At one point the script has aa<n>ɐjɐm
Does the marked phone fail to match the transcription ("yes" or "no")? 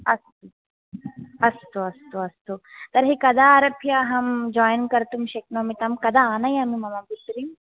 no